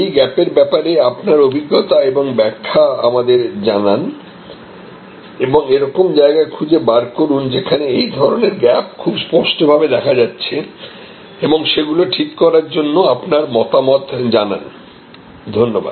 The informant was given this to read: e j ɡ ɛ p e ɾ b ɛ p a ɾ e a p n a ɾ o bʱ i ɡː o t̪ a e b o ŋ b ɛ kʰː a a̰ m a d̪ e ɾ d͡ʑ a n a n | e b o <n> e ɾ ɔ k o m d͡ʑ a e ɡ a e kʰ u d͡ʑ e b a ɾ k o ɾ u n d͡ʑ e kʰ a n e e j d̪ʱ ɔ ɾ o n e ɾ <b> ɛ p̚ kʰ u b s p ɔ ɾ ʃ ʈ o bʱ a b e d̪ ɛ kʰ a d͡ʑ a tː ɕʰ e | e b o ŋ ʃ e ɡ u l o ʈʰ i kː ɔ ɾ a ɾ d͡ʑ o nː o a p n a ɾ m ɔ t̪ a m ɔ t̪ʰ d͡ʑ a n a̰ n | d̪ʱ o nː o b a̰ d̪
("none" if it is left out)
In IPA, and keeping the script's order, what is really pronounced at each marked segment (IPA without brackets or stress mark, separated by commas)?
ŋ, ɡ